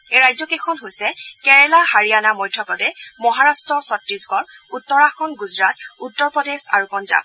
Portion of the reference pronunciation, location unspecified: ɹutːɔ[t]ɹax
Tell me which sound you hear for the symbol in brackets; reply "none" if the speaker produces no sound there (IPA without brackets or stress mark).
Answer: none